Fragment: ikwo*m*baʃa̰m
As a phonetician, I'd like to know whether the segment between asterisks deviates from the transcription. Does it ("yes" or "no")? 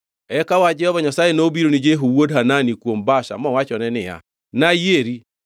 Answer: no